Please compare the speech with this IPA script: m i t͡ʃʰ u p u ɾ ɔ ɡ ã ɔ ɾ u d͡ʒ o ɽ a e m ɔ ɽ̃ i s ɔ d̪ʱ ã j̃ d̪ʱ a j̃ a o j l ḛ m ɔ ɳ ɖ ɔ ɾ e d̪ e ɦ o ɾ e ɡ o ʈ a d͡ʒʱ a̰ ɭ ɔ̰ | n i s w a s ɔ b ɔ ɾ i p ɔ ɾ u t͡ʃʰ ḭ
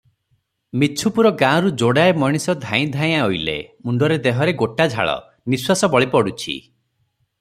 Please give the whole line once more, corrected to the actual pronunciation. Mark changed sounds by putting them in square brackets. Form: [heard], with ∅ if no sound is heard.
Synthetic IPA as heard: m i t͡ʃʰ u p u ɾ ɔ ɡ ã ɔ ɾ u d͡ʒ o ɽ a e m ɔ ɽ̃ i s ɔ d̪ʱ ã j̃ d̪ʱ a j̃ a o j l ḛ m [u] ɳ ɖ ɔ ɾ e d̪ e ɦ [ɔ] ɾ e ɡ o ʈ a d͡ʒʱ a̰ ɭ ɔ̰ | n i s w a s ɔ b ɔ [ɭ] i p ɔ [ɽ] u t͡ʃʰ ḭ

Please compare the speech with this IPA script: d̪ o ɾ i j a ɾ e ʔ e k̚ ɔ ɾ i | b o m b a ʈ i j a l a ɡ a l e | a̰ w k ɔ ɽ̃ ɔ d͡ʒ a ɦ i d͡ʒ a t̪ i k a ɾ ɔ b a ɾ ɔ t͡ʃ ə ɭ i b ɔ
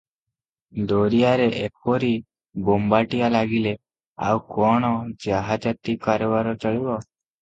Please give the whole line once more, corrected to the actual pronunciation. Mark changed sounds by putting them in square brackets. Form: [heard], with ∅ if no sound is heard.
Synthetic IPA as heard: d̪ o ɾ i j a ɾ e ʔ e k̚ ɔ ɾ i | b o m b a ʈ i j a l a ɡ [i] l e | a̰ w k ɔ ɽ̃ ɔ d͡ʒ a ɦ [a] d͡ʒ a t̪ i k a ɾ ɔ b a ɾ ɔ t͡ʃ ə ɭ i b ɔ

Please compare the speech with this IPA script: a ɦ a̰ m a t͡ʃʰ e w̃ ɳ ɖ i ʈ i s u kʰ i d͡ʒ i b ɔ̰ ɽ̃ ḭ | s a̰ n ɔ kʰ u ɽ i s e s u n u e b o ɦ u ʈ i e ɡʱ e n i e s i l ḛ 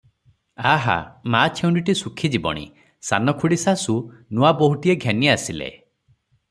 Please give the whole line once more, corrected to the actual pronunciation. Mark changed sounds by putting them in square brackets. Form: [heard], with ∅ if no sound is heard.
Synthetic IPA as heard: a ɦ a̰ m a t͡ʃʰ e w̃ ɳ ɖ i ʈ i s u kʰ i d͡ʒ i b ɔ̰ ɽ̃ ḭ | s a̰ n ɔ kʰ u ɽ i s [a] s u n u [a] b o ɦ u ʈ i e ɡʱ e n i [a] s i l ḛ

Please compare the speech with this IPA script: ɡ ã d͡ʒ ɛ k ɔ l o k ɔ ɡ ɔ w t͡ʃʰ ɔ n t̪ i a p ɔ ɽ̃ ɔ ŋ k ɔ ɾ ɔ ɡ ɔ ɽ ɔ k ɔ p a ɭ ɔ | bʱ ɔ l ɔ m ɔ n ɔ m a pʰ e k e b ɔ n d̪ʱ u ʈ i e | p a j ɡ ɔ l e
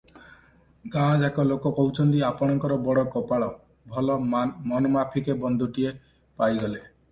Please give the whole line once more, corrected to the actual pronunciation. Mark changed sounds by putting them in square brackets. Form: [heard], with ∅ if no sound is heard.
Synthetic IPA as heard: ɡ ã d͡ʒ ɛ k ɔ l o k ɔ [k] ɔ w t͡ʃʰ ɔ n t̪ i a p ɔ ɽ̃ ɔ ŋ k ɔ ɾ ɔ [b] ɔ ɽ ɔ k ɔ p a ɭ ɔ | bʱ ɔ l ɔ m ɔ n ɔ m a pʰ [i] k e b ɔ n d̪ʱ u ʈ i e | p a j ɡ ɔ l e

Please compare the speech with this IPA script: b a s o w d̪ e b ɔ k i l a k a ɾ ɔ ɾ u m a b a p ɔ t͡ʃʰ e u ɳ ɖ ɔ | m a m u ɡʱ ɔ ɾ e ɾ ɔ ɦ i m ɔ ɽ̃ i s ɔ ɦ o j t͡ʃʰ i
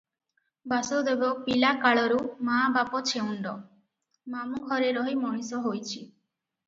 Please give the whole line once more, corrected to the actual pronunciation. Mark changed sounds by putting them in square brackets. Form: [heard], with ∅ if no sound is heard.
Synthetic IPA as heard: b a s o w d̪ e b ɔ [p] i l a k a [ɭ] ɔ ɾ u m a b a p ɔ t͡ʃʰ e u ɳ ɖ ɔ | m a m u ɡʱ ɔ ɾ e ɾ ɔ ɦ i m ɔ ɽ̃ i s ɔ ɦ o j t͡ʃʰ i

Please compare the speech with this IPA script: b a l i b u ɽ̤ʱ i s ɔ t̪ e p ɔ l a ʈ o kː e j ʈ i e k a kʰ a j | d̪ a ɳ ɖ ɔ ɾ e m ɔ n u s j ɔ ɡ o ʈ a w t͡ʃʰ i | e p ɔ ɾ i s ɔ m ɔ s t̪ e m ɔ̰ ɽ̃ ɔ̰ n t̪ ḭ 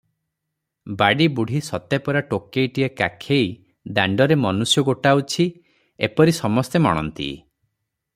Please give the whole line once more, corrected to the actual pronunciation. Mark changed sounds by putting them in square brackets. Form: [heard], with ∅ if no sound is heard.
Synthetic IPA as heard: b a [ɽ] i b u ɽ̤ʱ i s ɔ t̪ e p ɔ [ɾ] a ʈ o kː e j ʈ i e k a kʰ [e] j | d̪ a ɳ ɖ ɔ ɾ e m ɔ n u s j ɔ ɡ o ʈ a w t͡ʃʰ i | e p ɔ ɾ i s ɔ m ɔ s t̪ e m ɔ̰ ɽ̃ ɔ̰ n t̪ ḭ

